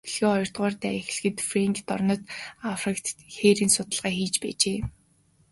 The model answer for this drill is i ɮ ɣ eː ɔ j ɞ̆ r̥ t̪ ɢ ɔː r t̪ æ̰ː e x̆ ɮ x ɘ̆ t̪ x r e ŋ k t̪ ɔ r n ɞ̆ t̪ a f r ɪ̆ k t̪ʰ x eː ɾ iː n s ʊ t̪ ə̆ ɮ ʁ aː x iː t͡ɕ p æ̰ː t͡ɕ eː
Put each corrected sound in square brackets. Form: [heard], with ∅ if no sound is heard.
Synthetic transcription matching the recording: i ɮ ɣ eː ɔ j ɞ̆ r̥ t̪ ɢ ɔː r t̪ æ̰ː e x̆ ɮ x ɘ̆ t̪ [f] r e ŋ k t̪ ɔ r n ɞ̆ t̪ a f r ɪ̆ k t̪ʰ x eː ɾ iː n s ʊ t̪ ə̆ ɮ ʁ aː x iː t͡ɕ p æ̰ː t͡ɕ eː